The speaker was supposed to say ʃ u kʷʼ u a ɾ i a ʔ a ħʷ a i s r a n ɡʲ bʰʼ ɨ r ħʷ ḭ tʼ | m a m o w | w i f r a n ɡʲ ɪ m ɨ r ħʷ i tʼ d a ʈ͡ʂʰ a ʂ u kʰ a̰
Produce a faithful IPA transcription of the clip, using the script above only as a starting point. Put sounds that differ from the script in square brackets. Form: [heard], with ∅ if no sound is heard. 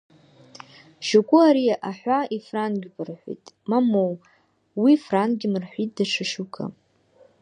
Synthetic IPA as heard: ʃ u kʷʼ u a ɾ i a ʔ a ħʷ a i [f] r a n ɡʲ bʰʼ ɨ r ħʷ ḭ tʼ | m a m o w | w i f r a n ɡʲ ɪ m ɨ r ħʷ i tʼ d a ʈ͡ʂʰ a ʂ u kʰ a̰